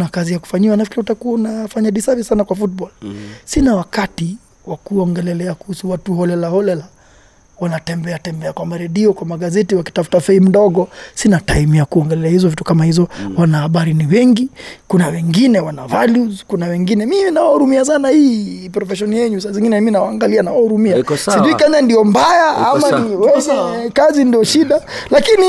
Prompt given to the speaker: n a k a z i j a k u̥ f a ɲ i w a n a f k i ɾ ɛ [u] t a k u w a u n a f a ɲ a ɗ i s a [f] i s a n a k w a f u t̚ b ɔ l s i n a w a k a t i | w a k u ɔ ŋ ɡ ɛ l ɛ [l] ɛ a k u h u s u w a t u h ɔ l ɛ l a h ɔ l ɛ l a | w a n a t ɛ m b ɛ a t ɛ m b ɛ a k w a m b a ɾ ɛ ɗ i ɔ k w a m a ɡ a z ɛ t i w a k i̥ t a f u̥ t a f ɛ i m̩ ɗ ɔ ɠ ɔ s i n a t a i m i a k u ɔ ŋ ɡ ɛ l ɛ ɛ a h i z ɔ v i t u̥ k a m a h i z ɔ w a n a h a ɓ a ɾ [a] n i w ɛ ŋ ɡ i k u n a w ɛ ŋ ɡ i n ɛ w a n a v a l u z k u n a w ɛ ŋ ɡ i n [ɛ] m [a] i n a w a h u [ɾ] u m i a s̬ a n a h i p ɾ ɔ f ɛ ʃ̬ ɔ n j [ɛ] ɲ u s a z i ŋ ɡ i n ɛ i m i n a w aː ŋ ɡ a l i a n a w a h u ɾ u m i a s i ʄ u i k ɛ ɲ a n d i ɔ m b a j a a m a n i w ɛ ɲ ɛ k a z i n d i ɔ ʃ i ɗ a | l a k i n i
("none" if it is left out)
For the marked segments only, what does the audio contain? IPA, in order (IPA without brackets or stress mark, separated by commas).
u, v, l, i, ɛ, i, ɾ, ɛ